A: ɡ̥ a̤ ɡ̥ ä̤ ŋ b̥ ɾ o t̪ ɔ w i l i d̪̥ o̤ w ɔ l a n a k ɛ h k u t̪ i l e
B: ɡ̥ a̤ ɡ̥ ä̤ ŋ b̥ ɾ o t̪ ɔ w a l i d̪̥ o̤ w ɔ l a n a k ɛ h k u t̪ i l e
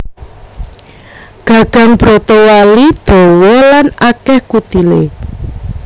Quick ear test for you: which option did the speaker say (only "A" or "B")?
B